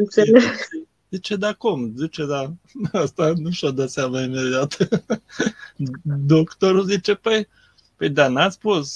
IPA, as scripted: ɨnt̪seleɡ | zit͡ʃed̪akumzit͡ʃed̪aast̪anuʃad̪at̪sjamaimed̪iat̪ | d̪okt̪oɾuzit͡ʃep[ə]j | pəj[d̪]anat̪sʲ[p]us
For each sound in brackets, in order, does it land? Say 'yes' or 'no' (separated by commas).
yes, yes, yes